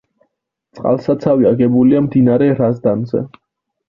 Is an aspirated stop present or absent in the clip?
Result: absent